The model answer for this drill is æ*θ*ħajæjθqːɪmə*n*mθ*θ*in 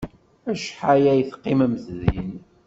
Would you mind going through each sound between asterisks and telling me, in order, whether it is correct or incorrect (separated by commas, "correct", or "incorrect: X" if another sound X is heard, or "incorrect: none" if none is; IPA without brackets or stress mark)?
incorrect: ʃ, incorrect: none, incorrect: ð